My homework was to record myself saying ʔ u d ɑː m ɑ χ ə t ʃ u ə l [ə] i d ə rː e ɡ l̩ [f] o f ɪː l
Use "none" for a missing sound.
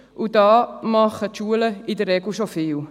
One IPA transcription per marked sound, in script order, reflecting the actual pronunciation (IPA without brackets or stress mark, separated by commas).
ə, ʃ